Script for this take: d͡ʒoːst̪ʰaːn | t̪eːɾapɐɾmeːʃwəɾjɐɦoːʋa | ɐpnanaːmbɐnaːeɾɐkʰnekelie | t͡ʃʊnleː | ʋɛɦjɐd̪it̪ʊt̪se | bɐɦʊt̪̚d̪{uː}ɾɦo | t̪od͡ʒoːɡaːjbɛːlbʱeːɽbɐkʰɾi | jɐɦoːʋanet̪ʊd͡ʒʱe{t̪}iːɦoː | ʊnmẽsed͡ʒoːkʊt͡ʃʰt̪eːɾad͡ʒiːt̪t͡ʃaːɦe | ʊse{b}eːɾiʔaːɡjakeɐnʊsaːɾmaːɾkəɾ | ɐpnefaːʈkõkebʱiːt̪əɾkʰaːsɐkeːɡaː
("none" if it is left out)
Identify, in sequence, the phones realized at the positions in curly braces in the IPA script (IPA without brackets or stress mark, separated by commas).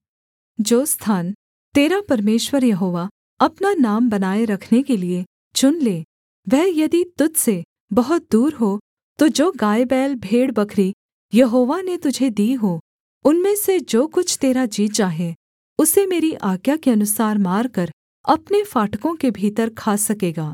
uː, d̪, m